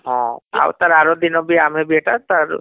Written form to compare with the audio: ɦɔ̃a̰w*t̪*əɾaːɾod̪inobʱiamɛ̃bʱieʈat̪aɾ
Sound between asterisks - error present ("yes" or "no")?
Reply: no